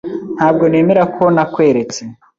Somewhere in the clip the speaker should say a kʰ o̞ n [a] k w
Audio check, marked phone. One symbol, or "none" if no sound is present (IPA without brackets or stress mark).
a